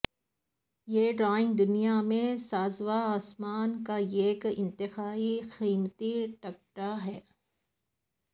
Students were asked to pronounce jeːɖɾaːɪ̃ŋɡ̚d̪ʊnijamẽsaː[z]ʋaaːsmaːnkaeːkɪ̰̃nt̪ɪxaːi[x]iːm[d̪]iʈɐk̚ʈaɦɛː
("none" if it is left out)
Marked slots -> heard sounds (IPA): z, x, t̪

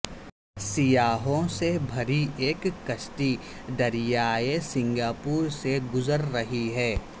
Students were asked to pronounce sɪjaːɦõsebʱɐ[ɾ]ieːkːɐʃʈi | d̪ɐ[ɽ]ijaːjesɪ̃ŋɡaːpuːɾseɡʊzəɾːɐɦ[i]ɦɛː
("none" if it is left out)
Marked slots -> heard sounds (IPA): ɾ, ɾ, i

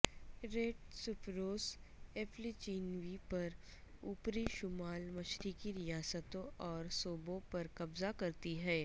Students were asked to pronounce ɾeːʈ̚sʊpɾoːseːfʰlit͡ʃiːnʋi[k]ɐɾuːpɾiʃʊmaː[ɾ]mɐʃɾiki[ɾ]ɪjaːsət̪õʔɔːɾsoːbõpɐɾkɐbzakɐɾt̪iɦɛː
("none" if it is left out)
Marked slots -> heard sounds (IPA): p, l, ɾ

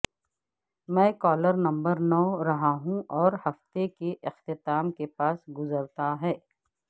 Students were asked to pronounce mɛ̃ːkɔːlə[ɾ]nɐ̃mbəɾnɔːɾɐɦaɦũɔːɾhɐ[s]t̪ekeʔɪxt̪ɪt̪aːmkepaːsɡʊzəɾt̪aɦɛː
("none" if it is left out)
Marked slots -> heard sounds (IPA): ɾ, f

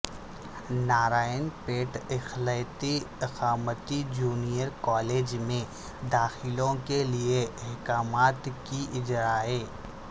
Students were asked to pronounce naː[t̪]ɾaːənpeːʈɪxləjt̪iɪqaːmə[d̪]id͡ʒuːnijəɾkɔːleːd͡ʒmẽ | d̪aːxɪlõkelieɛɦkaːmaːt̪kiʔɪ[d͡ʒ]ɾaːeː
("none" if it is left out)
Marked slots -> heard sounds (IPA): none, t̪, d͡ʒ

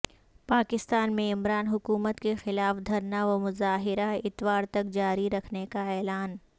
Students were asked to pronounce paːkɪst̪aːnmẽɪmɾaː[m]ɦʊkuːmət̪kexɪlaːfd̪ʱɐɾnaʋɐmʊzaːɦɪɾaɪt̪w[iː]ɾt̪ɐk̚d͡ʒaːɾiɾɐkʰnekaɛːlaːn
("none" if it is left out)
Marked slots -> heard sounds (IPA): n, aː

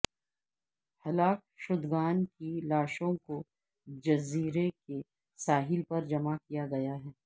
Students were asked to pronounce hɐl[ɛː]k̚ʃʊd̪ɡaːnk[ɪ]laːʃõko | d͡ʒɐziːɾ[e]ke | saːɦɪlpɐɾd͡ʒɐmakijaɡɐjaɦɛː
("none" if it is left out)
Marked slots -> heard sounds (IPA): aː, i, e

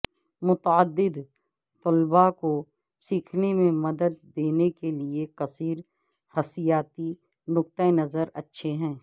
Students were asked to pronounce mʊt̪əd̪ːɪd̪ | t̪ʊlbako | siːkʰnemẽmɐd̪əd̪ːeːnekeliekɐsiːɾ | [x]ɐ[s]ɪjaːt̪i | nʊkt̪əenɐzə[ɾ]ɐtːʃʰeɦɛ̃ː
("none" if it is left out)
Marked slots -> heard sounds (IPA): h, s, ɾ

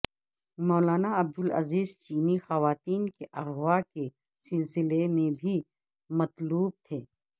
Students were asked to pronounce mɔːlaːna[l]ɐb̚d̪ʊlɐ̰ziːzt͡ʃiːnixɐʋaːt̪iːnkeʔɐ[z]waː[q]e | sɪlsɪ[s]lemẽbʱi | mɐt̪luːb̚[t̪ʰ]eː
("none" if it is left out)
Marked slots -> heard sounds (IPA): none, ɣ, k, none, t̪ʰ

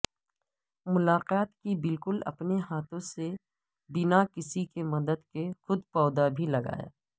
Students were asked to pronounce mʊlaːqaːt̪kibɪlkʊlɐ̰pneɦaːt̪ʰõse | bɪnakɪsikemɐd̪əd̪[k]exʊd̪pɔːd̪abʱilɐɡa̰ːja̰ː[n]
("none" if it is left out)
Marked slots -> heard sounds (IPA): k, none

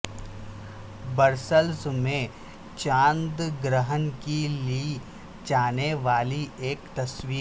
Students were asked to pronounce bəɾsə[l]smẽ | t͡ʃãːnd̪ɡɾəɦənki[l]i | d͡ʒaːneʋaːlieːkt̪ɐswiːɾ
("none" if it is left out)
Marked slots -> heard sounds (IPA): l, l

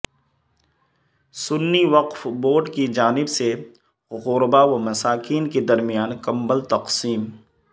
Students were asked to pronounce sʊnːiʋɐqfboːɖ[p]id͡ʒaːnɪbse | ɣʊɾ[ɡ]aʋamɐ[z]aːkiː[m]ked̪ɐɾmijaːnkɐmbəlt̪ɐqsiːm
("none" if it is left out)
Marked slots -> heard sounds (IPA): k, b, s, n

